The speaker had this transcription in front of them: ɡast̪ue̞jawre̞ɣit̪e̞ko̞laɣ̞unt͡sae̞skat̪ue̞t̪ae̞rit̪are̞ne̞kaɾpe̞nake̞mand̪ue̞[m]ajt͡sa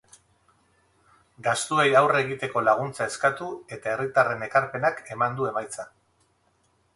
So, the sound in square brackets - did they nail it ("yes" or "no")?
yes